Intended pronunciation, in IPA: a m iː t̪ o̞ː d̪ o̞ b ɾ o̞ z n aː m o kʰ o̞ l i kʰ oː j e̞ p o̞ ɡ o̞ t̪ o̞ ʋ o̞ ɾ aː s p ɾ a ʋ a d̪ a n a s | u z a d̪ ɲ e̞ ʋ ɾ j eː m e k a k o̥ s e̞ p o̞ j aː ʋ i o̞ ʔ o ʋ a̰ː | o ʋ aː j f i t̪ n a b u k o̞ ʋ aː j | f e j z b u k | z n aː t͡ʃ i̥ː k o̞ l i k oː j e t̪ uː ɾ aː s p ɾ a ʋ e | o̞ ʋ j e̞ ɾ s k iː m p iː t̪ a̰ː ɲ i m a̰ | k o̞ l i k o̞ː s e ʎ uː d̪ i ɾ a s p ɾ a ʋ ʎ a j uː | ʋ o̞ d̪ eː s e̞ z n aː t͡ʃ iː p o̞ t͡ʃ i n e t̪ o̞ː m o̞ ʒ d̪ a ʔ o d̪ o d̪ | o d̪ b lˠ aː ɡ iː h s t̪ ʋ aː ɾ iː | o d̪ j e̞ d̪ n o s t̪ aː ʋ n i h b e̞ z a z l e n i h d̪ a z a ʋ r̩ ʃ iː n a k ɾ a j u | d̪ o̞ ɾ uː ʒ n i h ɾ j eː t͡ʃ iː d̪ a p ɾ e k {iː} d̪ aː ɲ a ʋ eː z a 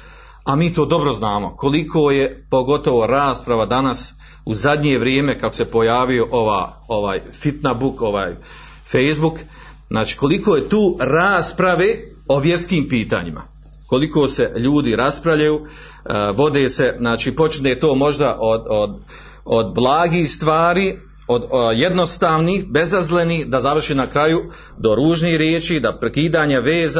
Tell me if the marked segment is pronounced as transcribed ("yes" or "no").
yes